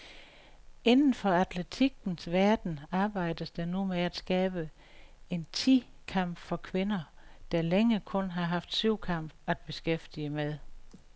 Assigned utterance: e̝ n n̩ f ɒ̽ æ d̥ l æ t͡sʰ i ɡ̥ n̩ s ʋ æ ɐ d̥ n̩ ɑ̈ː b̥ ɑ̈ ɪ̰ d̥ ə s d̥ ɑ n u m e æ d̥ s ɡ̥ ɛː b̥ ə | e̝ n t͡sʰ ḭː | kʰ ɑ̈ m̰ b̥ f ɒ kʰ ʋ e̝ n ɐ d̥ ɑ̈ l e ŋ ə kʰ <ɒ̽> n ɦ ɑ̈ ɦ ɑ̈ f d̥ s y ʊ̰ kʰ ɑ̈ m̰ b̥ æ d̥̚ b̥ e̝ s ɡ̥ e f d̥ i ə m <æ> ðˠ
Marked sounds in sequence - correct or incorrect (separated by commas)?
incorrect, incorrect